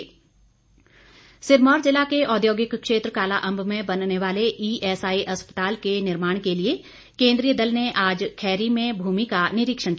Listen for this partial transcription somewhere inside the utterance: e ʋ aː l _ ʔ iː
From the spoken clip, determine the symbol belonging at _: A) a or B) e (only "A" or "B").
B